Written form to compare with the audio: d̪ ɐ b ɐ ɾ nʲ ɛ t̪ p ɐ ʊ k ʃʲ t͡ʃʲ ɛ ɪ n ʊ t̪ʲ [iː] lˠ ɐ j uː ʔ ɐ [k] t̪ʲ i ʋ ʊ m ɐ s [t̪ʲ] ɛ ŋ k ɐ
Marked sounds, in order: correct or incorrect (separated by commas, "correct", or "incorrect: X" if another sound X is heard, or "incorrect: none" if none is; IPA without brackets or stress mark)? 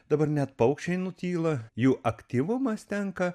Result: correct, correct, correct